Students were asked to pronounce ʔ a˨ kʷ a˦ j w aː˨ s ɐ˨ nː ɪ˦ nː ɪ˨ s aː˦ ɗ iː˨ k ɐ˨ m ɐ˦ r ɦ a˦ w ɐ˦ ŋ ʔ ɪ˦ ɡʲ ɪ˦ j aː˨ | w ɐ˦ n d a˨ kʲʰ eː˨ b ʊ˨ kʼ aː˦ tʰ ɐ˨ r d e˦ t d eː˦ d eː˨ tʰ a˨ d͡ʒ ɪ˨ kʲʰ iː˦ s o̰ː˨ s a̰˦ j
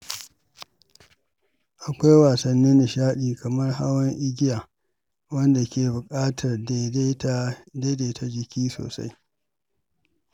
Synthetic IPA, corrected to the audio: ʔ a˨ kʷ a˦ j w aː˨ s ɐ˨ nː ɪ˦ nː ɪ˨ ʃ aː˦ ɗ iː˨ k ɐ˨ m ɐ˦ r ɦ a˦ w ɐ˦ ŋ ʔ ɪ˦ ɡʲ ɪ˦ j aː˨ | w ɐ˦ n d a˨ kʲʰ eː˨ b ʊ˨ kʼ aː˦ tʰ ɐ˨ r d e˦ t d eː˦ d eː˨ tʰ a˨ d͡ʒ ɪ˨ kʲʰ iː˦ s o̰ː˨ s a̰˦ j

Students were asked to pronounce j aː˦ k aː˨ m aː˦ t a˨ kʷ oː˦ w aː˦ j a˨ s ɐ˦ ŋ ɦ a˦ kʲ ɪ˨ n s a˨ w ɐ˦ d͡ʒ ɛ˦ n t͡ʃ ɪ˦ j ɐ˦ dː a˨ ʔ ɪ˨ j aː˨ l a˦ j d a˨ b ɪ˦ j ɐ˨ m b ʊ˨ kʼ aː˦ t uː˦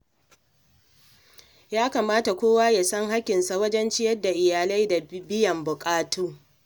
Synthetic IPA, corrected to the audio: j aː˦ k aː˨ m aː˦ t a˨ kʷ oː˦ w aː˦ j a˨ s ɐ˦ ŋ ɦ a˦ kʲ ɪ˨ n s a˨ w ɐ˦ d͡ʒ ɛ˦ n t͡ʃ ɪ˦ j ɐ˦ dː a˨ ʔ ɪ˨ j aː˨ l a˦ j d a˨ b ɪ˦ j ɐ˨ m b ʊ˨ kʼ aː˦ t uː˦

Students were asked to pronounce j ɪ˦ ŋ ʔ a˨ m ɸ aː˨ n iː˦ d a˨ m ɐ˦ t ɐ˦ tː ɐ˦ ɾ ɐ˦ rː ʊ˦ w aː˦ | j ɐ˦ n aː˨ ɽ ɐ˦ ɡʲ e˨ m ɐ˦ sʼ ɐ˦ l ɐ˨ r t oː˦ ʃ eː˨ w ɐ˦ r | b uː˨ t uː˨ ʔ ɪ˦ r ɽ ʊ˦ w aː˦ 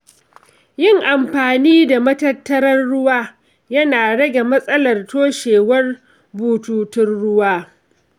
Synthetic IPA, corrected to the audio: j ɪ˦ ŋ ʔ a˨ m ɸ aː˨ n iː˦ d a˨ m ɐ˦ t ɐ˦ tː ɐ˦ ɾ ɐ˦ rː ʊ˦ w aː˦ | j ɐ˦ n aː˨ ɽ ɐ˦ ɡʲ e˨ m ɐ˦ sʼ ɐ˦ l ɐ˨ r t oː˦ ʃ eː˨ w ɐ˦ r | b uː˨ t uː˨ t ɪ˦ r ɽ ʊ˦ w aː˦

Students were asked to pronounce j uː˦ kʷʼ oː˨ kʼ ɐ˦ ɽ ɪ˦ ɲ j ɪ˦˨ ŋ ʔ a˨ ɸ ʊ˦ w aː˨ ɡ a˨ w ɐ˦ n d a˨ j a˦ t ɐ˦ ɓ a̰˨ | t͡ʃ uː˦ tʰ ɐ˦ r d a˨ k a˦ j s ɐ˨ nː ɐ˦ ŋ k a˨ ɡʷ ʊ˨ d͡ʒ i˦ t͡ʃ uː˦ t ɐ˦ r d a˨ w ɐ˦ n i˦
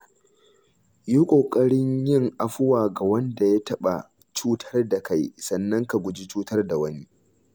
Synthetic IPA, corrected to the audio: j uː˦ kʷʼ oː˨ kʼ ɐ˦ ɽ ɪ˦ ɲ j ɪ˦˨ ŋ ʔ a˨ ɸ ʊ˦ w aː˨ ɡ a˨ w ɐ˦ n d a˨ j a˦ t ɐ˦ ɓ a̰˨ | t͡ʃ uː˦ tʰ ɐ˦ r d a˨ k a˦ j s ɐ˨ nː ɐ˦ ŋ k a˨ ɡʷ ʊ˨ d͡ʒ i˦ t͡ʃ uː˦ t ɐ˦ r d a˨ w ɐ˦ n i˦

